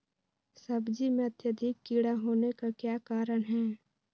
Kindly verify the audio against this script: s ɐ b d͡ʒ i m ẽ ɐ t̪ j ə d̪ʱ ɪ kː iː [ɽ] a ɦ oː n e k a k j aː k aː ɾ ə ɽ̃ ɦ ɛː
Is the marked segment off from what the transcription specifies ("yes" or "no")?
no